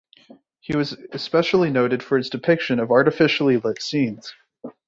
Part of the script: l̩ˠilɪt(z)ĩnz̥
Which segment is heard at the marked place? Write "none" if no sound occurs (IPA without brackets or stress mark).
s